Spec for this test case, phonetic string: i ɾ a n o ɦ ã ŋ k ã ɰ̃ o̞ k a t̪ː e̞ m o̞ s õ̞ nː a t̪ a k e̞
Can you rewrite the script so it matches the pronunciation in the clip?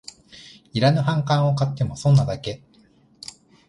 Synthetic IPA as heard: i ɾ a n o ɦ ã ŋ k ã ɰ̃ o̞ k a t̪ː e̞ m o̞ s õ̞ nː a d̪ a k e̞